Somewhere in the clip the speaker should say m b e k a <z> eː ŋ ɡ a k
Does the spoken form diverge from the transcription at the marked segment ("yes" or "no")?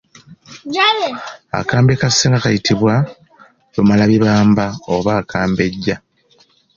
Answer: yes